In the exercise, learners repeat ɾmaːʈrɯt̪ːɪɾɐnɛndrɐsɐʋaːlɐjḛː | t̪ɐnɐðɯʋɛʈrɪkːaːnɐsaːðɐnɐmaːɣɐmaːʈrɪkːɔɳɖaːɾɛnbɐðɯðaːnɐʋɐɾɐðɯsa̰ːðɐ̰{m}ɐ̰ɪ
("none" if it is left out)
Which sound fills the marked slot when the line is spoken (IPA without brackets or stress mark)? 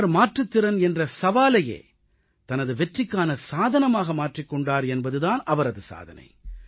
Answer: n